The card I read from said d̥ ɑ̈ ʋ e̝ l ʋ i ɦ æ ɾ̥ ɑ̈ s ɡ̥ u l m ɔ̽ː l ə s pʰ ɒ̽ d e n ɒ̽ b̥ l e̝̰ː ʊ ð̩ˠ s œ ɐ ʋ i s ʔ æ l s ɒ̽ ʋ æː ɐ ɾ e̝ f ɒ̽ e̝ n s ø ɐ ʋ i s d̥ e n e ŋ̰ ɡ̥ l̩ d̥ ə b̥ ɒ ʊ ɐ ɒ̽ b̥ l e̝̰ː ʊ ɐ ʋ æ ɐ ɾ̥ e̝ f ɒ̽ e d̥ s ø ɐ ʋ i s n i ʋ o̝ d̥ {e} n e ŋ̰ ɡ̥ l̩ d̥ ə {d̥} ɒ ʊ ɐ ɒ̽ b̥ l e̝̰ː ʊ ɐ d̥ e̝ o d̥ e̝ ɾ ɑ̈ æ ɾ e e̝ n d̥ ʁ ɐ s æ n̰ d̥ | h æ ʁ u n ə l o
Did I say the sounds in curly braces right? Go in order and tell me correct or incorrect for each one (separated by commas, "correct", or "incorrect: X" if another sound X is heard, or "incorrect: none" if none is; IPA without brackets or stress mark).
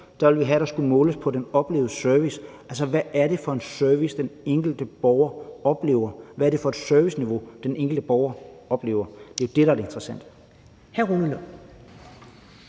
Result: correct, incorrect: b̥